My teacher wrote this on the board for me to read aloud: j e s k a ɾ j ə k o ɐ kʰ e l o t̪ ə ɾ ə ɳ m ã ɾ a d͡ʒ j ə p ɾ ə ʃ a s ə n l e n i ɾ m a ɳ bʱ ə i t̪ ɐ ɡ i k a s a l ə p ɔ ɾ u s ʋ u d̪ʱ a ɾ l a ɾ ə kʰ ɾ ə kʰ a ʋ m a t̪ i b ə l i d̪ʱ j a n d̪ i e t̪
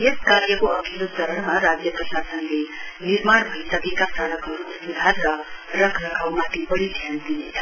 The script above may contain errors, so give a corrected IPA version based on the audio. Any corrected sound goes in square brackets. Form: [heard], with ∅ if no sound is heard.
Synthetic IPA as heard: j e s k a ɾ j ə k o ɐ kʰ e l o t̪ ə ɾ ə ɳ m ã ɾ a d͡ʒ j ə p ɾ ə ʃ a s ə n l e n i ɾ m a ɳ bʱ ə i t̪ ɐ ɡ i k a s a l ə [k] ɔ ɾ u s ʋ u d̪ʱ a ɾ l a ɾ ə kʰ ɾ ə kʰ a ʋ m a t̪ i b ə [ɽ] i d̪ʱ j a n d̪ i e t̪